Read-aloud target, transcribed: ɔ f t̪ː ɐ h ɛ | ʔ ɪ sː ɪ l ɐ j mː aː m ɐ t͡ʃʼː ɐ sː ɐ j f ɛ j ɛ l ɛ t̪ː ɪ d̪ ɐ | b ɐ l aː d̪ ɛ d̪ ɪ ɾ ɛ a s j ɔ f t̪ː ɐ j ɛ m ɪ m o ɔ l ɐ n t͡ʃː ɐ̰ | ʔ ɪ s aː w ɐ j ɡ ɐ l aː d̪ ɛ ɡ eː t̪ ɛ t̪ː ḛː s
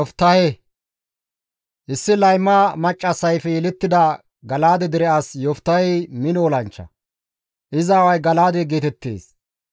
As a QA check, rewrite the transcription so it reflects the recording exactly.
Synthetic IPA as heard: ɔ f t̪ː ɐ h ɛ | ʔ ɪ sː ɪ l ɐ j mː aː m ɐ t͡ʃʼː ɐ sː ɐ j f ɛ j ɛ l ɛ t̪ː ɪ d̪ ɐ | ɡ ɐ l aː d̪ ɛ d̪ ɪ ɾ ɛ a s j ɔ f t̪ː ɐ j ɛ m ɪ n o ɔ l ɐ n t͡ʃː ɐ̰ | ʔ ɪ z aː w ɐ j ɡ ɐ l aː d̪ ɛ ɡ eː t̪ ɛ t̪ː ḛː s